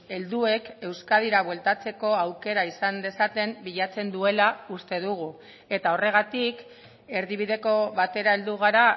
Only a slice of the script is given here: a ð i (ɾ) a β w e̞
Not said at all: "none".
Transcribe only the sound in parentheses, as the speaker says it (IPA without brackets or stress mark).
ɾ